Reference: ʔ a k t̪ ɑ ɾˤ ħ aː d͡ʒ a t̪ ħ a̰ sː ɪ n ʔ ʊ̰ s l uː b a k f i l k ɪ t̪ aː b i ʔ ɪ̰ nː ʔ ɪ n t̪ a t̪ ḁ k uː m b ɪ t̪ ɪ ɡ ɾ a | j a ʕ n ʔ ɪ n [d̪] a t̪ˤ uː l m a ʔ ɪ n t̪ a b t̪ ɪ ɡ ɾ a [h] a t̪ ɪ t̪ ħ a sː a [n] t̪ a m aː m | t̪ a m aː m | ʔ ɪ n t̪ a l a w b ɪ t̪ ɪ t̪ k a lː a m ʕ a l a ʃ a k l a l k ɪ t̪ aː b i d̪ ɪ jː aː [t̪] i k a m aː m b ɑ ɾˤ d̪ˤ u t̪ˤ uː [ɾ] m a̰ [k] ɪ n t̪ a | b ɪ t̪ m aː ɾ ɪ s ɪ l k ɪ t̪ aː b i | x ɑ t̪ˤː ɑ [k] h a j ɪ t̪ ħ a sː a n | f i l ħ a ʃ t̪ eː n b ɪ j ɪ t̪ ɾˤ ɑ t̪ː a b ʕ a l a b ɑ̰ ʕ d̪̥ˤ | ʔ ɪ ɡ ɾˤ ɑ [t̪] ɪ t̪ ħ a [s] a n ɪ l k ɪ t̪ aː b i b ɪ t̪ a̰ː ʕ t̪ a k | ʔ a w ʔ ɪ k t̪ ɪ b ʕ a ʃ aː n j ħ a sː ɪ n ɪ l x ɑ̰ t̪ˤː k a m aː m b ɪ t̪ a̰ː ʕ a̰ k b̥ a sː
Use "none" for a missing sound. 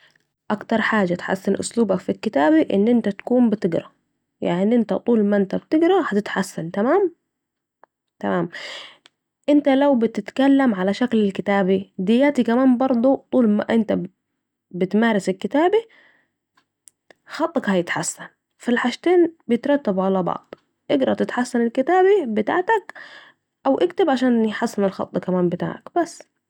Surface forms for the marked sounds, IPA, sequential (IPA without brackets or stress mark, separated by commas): t̪, h, n, t̪, l, ʔ, k, t̪, sː